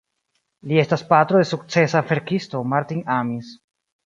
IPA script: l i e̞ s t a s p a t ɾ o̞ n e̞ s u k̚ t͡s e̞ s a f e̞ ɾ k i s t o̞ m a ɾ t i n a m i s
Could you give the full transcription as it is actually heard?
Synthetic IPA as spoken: l i e̞ s t a s p a t ɾ o̞ d e̞ s u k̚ t͡s e̞ s a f e̞ ɾ k i s t o̞ m a ɾ t i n a m i s